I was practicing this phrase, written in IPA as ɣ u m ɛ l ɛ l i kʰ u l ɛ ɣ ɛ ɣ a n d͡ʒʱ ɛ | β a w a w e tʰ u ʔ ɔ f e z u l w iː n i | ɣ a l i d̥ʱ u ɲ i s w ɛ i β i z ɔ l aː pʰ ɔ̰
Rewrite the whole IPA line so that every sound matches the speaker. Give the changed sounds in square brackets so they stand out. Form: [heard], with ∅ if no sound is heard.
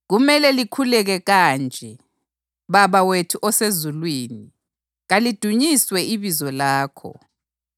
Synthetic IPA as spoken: ɣ u m ɛ l ɛ l i kʰ u l ɛ ɣ ɛ ɣ a n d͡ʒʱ ɛ | β a [β] a w e tʰ u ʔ ɔ [s] e z u l w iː n i | ɣ a l i d̥ʱ u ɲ i s w ɛ i β i z ɔ l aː [kʰ] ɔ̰